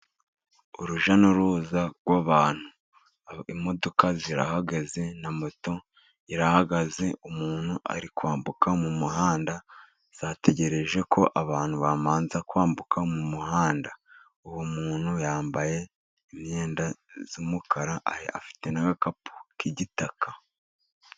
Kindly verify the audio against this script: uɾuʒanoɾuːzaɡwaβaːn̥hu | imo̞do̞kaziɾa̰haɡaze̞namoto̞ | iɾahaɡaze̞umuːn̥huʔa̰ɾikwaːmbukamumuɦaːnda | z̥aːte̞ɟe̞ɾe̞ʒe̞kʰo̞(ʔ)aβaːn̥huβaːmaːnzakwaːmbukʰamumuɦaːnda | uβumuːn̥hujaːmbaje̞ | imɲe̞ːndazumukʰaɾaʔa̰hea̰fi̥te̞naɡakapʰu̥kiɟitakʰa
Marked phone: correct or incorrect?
correct